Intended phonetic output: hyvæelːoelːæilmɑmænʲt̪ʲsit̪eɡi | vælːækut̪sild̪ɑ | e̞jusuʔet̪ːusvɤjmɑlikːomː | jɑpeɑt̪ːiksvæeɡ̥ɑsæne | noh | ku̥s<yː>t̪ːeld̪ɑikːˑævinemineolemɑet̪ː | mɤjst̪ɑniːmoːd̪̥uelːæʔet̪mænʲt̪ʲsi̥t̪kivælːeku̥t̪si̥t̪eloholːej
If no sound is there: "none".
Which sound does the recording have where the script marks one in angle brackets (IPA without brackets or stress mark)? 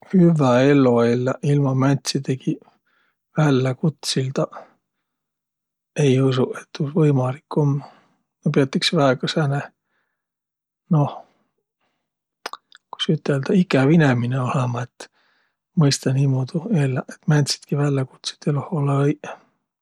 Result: y